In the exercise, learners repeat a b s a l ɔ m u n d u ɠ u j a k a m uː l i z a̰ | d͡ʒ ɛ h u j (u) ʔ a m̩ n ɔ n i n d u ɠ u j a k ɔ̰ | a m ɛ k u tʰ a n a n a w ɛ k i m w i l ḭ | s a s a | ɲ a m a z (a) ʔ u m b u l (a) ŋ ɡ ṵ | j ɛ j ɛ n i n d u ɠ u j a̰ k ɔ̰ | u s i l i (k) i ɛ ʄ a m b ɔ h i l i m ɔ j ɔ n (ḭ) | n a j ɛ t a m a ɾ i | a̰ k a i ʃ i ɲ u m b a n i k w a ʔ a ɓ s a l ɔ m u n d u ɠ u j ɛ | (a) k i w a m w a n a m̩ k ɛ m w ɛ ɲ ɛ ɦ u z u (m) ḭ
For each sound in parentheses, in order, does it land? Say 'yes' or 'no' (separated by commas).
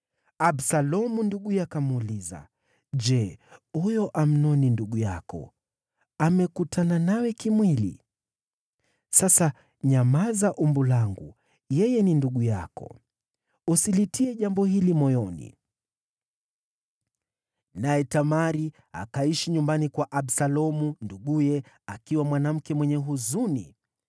no, yes, yes, no, yes, yes, no